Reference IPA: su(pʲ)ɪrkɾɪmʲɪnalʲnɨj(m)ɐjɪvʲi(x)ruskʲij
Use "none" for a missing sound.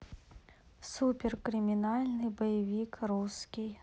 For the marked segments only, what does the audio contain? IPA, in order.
pʲ, b, k

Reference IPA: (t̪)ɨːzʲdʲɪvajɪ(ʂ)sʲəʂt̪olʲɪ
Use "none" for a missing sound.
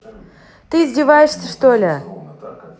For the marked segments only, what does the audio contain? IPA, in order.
t̪, ʂ

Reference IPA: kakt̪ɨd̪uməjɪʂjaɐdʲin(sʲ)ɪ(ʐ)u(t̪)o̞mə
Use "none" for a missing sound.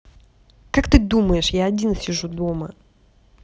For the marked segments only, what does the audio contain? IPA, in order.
sʲ, ʐ, d̪

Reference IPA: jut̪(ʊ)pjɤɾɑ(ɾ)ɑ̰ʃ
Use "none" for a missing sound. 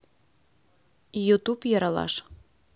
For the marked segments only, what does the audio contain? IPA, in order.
u, l

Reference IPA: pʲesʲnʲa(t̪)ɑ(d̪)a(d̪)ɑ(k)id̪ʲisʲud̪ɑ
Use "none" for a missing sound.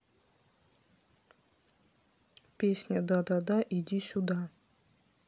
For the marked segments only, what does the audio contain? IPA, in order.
d̪, d̪, d̪, ʔ

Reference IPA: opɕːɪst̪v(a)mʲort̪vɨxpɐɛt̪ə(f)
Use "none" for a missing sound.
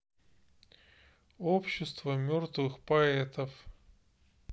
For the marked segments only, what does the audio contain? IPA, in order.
ə, f

